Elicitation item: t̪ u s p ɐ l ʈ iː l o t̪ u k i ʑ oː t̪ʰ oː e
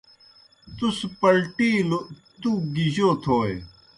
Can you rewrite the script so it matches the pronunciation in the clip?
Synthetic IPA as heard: t̪ u s p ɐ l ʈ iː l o t̪ u ɡ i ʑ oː t̪ʰ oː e